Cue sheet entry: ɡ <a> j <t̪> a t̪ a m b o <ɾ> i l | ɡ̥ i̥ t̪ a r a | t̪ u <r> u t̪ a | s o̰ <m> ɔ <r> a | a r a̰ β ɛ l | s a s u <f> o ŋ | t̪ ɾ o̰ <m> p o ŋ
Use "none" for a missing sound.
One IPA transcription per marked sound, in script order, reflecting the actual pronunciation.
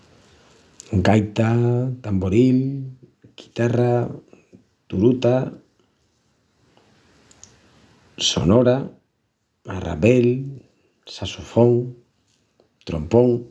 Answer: a, t̪, ɾ, ɾ, n, ɾ, f, m

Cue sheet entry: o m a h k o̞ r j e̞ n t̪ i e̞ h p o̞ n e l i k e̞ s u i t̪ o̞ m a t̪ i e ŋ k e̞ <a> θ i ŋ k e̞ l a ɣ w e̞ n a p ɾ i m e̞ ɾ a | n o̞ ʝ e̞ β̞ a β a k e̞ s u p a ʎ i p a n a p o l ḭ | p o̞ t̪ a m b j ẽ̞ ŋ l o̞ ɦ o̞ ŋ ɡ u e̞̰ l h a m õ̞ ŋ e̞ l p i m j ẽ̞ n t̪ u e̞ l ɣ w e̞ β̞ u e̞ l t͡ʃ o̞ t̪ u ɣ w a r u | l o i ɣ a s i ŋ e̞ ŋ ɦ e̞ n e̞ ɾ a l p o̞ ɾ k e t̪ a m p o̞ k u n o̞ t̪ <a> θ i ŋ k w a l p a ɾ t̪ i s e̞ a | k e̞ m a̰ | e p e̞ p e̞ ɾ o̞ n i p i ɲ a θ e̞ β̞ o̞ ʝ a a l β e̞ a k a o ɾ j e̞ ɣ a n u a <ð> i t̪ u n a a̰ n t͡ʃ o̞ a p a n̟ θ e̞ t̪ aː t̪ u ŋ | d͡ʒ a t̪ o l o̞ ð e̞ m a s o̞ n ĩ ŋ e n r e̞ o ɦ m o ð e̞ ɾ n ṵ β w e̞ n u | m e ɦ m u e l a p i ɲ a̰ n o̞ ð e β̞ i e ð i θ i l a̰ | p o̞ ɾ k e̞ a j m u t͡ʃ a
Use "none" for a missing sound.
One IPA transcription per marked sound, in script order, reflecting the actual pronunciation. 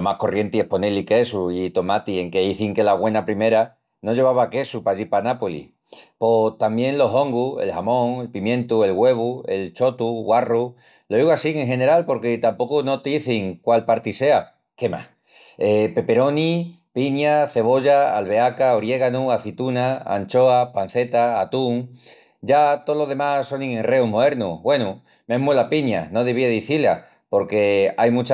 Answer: i, i, θ

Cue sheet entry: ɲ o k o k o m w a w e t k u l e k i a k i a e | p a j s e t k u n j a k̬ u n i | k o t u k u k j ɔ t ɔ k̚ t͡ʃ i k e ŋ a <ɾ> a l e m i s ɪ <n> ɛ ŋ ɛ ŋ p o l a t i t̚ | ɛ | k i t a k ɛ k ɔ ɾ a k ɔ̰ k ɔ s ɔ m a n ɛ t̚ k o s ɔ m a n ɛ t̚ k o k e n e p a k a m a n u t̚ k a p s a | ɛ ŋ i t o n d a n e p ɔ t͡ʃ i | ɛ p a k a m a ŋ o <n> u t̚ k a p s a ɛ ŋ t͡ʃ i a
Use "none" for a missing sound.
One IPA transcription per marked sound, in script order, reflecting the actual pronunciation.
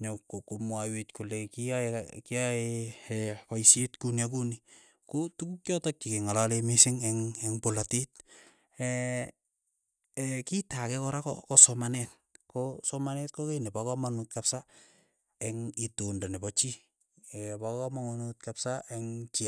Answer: l, ŋ, n

